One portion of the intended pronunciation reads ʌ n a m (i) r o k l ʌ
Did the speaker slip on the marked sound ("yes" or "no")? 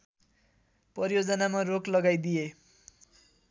yes